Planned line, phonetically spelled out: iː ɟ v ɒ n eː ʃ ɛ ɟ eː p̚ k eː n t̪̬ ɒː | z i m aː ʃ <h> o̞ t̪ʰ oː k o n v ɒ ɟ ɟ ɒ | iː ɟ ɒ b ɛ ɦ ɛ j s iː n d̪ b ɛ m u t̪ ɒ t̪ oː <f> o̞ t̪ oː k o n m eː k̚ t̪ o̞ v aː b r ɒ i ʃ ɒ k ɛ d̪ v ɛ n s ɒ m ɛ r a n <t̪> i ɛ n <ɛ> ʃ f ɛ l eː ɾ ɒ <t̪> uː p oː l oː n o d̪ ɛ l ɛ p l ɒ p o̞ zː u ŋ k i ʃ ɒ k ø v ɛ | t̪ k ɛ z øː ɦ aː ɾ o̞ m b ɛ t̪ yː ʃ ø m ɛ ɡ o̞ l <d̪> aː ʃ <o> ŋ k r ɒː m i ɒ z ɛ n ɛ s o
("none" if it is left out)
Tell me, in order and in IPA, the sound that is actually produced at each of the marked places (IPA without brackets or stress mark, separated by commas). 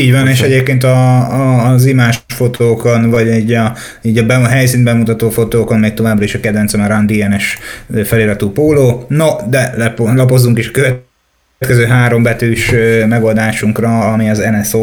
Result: f, f, d̪, ɛ, t̪, d̪, u